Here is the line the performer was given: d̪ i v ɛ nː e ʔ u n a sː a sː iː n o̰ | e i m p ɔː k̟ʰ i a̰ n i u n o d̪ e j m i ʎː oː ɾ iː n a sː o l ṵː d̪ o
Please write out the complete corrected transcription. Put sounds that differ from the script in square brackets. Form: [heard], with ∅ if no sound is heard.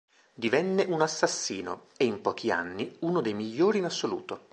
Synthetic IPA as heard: d̪ i v ɛ nː e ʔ u n a sː a sː iː n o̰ | e i m p ɔː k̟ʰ i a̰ [nː] i u n o d̪ e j m i ʎː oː ɾ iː n a sː o l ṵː [t̪] o